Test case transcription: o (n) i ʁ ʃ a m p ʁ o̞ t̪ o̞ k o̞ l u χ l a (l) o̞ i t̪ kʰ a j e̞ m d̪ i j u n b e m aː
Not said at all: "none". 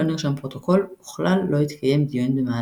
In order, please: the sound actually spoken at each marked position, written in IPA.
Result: n, lː

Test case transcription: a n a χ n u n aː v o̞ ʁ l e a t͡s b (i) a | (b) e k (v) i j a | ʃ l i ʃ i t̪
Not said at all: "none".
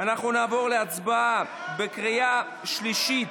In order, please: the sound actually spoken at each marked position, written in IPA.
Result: a, b, ʁ

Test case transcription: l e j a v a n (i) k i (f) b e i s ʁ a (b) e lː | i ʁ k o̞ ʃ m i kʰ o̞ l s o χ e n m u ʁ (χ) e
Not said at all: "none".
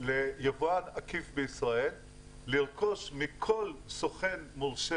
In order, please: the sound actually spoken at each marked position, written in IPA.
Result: a, f, none, ʃ

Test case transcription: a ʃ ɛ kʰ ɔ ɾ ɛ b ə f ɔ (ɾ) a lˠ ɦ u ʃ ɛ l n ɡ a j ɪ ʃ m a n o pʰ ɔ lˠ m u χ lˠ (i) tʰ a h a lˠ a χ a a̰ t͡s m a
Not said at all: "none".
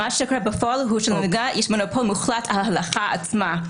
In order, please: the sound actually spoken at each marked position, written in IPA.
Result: none, a

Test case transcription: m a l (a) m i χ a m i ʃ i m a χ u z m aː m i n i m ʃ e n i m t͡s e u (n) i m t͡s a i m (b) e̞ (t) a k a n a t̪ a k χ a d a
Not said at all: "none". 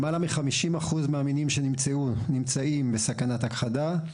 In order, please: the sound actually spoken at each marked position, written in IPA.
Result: a, n, b, s

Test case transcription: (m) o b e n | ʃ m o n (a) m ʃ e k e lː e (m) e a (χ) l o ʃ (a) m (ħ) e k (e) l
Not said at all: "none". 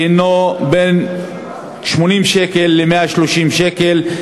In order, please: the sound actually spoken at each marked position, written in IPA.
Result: n, i, m, ʃ, i, ʃ, e

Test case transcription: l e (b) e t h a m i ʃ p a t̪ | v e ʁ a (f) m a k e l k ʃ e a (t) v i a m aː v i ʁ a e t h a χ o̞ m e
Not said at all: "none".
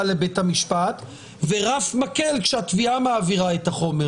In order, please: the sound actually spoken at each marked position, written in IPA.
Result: b, f, t

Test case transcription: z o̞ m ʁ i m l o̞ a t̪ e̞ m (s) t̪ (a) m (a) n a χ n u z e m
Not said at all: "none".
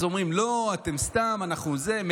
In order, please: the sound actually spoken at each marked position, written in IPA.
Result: s, a, a

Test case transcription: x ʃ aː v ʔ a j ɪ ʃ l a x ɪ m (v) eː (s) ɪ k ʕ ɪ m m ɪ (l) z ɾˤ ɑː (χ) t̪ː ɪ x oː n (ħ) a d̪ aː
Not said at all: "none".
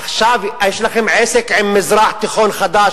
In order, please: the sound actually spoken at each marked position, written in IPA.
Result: ʕ, s, none, ħ, x

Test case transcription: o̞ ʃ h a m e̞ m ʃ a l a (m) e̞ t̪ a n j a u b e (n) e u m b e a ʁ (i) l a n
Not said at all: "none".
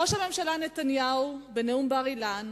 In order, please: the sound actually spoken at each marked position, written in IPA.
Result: n, n, i

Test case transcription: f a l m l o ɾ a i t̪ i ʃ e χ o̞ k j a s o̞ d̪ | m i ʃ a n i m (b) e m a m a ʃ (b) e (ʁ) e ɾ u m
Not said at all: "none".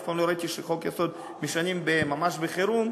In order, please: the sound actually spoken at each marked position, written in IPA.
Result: b, b, χ

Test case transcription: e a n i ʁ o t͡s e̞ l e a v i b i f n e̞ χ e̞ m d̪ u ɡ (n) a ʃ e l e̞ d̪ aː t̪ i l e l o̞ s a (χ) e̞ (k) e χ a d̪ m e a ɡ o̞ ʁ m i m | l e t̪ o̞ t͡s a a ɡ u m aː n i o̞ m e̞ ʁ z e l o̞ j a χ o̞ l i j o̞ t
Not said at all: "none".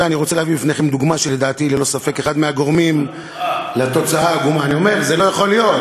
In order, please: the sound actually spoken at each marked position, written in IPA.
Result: m, f, k

